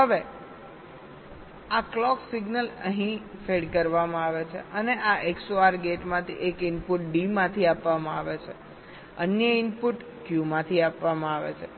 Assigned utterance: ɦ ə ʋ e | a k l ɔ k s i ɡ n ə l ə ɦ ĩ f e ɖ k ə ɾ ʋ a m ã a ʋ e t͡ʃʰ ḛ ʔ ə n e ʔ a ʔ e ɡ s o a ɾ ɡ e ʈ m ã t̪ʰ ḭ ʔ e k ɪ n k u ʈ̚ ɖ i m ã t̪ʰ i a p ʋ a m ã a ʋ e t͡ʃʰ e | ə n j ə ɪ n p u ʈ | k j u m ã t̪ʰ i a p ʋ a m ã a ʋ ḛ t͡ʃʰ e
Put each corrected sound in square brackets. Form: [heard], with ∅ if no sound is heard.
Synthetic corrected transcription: ɦ ə ʋ e | a k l ɔ k s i ɡ n ə l ə ɦ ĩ f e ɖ k ə ɾ ʋ a m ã a ʋ e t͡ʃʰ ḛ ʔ ə n e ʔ a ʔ e [k] s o a ɾ ɡ e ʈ m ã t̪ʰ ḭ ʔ e k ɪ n [p] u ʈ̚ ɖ i m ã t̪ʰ i a p ʋ a m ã a ʋ e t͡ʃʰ e | ə n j ə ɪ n p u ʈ | k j u m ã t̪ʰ i a p ʋ a m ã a ʋ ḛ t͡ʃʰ e